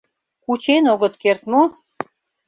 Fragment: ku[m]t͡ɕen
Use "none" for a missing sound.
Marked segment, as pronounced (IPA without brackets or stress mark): none